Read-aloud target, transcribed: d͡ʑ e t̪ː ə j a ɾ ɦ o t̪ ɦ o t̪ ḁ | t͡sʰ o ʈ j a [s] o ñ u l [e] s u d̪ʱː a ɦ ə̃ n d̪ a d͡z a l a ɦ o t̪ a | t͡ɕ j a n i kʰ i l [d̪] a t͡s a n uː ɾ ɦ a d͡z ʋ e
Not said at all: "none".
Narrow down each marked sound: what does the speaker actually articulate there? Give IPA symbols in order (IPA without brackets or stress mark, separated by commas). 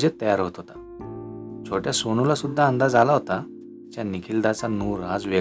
s, a, d̪